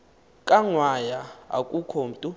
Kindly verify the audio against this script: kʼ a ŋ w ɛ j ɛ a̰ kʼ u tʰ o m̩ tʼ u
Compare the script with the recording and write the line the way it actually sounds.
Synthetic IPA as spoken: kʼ a ŋ w a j a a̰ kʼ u kʰ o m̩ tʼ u